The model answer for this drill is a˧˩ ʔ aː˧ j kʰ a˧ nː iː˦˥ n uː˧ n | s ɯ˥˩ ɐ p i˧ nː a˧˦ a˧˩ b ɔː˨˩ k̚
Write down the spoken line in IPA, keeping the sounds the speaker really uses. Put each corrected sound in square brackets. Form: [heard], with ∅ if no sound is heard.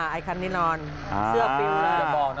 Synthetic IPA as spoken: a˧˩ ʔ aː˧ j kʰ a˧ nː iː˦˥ n [ɔː˧] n | s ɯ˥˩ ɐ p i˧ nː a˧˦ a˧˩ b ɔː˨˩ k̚